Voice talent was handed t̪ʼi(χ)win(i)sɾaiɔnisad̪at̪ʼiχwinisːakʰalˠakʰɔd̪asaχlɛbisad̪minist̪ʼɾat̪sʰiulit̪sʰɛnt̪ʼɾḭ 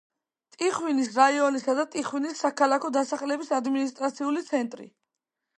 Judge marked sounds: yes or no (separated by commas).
yes, yes